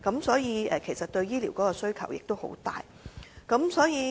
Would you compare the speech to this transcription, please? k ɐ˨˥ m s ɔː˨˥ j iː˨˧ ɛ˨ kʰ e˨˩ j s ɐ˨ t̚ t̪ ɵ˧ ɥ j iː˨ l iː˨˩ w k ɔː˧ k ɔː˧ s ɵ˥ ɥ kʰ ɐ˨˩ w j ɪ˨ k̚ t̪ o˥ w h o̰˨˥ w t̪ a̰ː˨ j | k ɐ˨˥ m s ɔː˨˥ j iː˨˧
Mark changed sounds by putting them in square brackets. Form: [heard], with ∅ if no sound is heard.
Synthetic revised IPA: k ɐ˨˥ m s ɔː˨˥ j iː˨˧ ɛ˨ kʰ e˨˩ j s ɐ˨ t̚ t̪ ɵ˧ ɥ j [iː˥] l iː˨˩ w k [ɔː˨˥] k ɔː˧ s ɵ˥ ɥ kʰ ɐ˨˩ w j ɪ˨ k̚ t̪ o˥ w h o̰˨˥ w t̪ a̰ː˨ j | k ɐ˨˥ m s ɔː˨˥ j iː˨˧